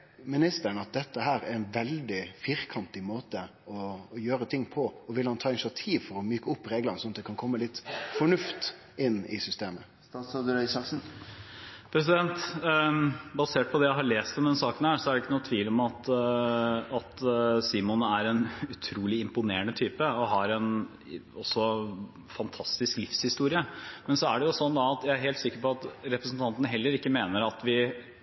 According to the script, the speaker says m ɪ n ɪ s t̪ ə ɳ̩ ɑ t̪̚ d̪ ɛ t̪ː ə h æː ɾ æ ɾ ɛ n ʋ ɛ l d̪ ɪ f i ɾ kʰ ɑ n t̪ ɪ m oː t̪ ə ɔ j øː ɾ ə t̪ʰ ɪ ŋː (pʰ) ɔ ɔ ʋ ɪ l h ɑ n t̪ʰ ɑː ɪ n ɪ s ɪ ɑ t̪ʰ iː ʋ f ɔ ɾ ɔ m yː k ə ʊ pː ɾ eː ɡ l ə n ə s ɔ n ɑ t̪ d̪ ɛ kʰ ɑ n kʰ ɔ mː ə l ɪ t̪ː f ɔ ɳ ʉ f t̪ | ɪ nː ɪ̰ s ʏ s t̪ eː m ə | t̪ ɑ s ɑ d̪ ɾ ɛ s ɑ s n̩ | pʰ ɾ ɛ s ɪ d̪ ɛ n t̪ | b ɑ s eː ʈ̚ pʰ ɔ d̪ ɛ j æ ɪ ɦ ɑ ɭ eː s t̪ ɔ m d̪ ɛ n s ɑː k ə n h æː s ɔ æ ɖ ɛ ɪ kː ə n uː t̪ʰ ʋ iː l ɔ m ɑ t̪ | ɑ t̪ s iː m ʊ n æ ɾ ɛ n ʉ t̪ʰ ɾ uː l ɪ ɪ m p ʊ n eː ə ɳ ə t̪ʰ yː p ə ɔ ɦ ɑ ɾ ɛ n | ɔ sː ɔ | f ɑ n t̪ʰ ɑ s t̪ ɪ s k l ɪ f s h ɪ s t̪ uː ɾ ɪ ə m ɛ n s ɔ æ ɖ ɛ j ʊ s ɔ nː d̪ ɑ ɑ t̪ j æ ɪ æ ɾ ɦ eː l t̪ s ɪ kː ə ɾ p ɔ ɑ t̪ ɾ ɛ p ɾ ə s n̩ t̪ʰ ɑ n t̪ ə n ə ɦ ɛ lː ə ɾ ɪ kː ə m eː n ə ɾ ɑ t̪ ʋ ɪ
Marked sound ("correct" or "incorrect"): correct